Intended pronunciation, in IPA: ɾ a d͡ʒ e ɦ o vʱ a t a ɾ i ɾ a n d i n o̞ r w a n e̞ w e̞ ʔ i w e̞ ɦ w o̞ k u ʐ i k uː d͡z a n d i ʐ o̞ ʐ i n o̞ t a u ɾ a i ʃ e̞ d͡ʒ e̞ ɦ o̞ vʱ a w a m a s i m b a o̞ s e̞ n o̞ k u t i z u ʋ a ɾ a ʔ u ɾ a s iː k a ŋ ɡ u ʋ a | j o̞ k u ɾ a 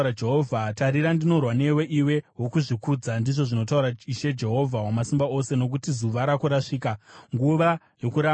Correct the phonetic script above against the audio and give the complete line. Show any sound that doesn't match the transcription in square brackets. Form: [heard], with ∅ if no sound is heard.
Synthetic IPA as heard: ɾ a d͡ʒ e ɦ o vʱ a t a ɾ i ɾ a n d i n o̞ r w a n e̞ w e̞ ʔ i w e̞ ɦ w o̞ k u ʐ i k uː d͡z a n d i ʐ o̞ ʐ i n o̞ t a u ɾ a i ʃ e̞ d͡ʒ e̞ ɦ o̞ vʱ a w a m a s i m b a o̞ s e̞ n o̞ k u t i z u ʋ a ɾ a [k] u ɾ a [ʂ] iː k a ŋ ɡ u ʋ a | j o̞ k u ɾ a